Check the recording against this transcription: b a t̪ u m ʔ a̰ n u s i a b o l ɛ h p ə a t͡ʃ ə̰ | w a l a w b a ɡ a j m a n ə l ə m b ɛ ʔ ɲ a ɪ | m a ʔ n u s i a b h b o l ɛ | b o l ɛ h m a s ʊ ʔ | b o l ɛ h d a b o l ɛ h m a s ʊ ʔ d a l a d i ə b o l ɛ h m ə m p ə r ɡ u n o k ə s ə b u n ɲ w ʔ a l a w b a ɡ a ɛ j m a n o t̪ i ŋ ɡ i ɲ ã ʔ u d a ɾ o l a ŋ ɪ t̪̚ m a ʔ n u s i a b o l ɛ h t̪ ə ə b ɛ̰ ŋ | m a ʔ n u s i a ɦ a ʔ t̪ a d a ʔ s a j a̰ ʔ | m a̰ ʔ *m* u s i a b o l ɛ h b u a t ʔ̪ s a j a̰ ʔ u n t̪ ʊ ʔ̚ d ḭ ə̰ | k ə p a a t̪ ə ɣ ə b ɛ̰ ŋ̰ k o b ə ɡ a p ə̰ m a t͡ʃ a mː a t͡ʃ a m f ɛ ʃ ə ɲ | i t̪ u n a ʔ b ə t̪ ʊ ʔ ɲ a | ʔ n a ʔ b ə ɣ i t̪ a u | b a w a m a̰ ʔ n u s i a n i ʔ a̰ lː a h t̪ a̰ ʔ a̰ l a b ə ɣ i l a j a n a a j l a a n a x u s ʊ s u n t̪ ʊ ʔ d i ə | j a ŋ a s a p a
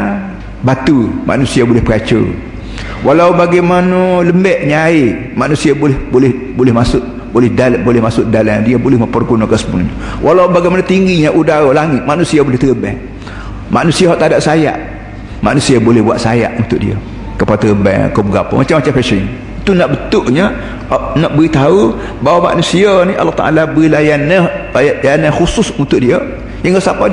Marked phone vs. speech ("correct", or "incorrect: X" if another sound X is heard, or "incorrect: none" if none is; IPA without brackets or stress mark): incorrect: n